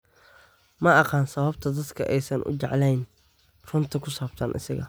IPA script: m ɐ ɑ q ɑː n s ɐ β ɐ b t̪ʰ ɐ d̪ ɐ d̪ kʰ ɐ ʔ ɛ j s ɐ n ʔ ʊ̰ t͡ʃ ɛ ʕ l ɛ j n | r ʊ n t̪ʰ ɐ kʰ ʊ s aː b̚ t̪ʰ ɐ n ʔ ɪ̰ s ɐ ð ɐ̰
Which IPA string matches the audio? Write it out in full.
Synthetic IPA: m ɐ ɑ q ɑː n s ɐ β ɐ b t̪ʰ ɐ d̪ ɐ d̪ kʰ ɐ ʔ ɛ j s ɐ n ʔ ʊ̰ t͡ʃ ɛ ʕ l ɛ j n | r ʊ n t̪ʰ ɐ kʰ ʊ s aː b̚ t̪ʰ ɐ n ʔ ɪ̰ s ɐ ɣ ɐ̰